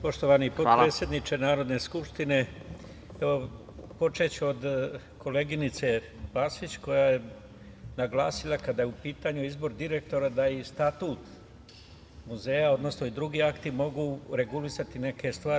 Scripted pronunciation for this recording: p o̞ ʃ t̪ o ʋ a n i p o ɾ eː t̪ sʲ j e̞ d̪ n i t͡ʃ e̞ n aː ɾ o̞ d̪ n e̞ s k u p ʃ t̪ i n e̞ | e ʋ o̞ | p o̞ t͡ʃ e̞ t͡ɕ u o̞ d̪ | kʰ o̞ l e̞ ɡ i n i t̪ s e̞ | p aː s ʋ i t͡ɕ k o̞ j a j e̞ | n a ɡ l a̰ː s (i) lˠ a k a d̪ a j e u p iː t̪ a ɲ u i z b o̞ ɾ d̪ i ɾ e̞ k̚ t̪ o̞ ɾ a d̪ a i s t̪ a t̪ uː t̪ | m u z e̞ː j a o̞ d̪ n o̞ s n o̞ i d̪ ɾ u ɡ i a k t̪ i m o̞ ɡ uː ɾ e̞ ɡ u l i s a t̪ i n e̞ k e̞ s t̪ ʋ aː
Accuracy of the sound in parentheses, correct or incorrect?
correct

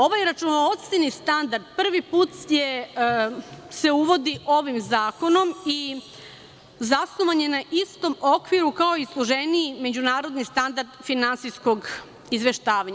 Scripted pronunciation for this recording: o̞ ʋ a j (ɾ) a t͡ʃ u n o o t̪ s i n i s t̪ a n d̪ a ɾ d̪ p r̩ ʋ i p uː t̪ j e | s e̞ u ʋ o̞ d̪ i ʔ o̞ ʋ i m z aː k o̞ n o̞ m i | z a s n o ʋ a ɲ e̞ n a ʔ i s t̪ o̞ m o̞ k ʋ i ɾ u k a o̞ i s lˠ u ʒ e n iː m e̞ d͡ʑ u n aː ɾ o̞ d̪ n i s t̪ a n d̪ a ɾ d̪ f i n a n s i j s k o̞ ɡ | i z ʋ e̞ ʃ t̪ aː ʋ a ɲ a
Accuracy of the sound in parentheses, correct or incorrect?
correct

